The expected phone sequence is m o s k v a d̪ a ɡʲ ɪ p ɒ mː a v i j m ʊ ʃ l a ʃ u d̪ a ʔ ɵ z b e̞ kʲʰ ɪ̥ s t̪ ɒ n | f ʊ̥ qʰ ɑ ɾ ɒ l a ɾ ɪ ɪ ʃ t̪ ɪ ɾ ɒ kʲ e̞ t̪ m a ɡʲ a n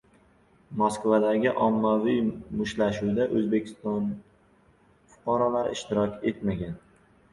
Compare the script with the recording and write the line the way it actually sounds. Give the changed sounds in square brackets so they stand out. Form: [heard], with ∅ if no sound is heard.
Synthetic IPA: m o s k v a d̪ a ɡʲ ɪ [ʔ] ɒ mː a v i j m ʊ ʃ l a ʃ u d̪ a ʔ ɵ z b e̞ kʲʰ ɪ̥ s t̪ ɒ n | f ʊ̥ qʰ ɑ ɾ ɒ l a ɾ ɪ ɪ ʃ t̪ ɪ ɾ ɒ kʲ e̞ t̪ m a ɡʲ a n